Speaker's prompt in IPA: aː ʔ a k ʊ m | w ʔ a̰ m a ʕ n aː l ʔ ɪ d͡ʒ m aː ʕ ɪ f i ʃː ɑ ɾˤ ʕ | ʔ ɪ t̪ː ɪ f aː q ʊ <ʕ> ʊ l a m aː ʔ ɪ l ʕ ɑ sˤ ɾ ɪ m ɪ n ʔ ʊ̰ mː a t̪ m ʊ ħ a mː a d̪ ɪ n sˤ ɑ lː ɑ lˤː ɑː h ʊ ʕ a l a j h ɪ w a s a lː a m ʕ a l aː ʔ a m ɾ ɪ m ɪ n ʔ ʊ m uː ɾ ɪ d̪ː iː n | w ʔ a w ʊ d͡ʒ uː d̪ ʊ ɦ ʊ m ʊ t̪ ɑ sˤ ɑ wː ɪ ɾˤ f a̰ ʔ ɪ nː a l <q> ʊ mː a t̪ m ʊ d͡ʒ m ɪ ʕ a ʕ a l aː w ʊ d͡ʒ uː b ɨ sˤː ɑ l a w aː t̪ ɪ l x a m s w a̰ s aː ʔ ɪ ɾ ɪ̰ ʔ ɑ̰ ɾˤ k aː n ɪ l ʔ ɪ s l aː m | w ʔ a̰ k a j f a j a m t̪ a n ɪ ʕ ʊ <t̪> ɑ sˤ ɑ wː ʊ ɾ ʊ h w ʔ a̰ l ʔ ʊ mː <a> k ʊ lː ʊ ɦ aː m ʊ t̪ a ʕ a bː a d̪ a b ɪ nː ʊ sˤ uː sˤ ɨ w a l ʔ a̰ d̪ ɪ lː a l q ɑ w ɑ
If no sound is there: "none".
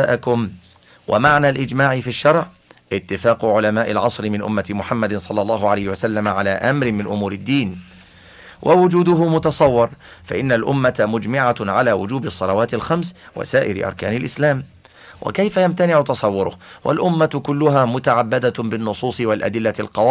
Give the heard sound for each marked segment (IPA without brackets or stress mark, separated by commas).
ʕ, ʔ, t̪, a